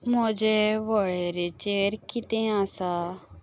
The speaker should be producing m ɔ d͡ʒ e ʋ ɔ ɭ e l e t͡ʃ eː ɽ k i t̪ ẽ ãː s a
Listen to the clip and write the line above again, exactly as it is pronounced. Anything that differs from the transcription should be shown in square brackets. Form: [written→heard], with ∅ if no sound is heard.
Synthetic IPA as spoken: m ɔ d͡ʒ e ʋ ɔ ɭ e [l→ɾ] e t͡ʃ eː [ɽ→ɾ] k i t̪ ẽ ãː s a